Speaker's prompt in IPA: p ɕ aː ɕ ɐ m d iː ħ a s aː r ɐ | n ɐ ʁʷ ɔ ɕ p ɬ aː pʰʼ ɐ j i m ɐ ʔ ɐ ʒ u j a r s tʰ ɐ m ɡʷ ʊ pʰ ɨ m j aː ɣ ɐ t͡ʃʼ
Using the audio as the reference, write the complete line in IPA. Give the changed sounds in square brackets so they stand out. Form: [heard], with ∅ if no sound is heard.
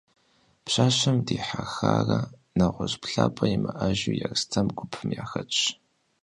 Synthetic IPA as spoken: p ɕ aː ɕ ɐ m d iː ħ a [x] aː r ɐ | n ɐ ʁʷ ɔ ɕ p ɬ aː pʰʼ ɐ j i m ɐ ʔ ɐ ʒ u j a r s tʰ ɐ m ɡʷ ʊ pʰ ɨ m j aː [x] ɐ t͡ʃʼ